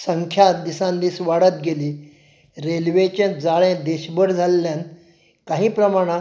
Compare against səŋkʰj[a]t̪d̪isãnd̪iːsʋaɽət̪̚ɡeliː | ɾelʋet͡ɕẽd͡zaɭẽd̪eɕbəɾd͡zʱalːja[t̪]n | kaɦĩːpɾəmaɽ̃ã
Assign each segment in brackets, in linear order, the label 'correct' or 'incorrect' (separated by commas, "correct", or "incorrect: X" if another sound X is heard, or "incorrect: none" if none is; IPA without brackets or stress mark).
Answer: correct, incorrect: none